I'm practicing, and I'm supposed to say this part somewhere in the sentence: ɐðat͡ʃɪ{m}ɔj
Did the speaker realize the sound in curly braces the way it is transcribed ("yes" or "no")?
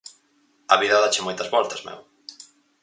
yes